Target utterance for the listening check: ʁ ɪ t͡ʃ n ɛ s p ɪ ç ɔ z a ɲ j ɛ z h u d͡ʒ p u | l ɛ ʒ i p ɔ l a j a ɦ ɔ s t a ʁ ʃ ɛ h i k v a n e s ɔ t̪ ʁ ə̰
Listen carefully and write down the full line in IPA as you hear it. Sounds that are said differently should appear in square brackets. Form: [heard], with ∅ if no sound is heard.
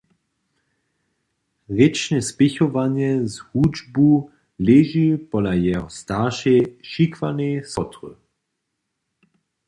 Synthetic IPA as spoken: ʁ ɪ t͡ʃ n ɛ s p ɪ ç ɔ [v] a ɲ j ɛ z h u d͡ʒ [b] u | l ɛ ʒ i p ɔ l a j [ɛ] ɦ ɔ s t a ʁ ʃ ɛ [ʃ] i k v a n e s ɔ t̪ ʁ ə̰